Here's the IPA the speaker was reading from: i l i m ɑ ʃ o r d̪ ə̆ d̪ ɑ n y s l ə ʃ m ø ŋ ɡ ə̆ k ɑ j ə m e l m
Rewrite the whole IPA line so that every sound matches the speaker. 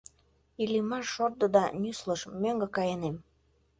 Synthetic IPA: i l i m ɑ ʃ o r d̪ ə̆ d̪ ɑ n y s l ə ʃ m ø ŋ ɡ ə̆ k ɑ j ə n e m